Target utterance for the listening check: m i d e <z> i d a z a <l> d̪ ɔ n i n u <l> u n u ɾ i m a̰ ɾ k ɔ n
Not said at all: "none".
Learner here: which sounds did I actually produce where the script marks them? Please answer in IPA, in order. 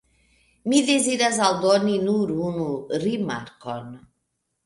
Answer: z, l, ɾ

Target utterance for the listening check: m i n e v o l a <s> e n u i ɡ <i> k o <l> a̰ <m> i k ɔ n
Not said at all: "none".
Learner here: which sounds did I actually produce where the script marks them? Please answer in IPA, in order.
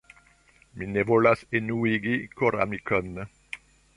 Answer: s, i, ɾ, m

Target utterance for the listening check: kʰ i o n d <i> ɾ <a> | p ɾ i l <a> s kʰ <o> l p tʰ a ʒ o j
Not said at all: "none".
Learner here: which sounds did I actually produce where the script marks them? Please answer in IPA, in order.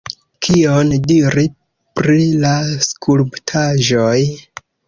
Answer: i, i, a, u

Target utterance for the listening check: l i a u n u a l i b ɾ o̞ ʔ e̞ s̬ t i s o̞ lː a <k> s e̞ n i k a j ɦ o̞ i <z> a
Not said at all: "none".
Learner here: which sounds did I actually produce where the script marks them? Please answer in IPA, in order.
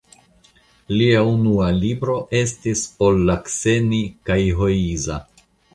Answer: k, z

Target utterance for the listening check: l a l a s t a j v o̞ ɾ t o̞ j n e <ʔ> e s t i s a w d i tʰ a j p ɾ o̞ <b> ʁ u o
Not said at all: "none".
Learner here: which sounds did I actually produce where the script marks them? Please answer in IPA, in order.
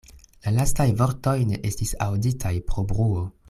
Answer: ʔ, b

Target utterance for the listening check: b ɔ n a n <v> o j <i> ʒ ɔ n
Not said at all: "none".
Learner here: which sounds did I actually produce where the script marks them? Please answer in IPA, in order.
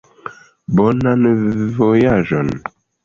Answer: v, a

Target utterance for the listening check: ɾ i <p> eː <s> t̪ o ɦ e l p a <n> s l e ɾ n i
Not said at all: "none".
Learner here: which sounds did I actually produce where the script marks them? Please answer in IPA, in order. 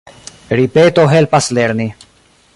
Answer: p, none, none

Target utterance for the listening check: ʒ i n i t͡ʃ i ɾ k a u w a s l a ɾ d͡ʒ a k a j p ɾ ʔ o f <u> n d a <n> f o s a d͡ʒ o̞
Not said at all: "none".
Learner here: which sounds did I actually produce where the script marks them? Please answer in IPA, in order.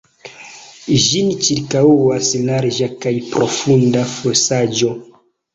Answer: u, none

